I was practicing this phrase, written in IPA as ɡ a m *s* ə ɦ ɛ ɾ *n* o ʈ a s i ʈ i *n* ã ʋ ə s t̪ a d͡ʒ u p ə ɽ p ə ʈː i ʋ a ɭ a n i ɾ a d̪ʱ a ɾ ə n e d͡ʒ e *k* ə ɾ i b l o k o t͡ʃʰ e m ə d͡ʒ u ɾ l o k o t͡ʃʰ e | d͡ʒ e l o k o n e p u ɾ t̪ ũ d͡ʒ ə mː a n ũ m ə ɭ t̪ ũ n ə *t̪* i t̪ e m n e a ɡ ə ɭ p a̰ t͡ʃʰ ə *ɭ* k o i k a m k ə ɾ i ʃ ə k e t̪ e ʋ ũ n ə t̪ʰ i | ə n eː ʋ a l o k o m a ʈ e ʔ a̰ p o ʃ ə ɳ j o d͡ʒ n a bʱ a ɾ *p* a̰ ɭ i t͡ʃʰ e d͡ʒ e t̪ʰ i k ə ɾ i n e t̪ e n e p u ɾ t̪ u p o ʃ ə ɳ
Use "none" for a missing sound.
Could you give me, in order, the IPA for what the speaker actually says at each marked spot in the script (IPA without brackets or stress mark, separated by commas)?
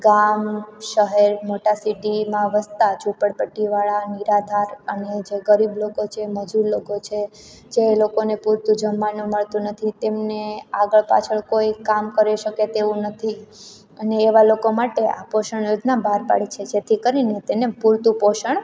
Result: ʃ, m, m, ɡ, t̪ʰ, ɭ, p